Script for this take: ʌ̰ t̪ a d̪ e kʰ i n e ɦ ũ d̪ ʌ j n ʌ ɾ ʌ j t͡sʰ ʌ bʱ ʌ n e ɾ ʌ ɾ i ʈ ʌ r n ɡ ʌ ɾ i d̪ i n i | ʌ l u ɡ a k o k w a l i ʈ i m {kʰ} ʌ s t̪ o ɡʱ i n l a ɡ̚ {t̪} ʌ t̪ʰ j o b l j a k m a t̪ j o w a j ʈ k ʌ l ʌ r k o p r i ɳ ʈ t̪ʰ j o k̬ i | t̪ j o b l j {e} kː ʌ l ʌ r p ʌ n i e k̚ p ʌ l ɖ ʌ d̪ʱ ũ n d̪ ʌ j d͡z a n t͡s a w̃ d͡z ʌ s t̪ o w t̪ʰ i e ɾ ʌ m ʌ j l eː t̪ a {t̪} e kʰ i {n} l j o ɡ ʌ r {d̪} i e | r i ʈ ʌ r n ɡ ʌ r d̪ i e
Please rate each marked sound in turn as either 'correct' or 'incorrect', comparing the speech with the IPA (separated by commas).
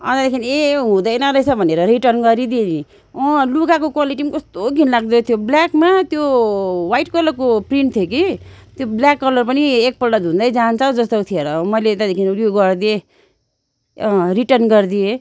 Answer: incorrect, incorrect, incorrect, incorrect, correct, correct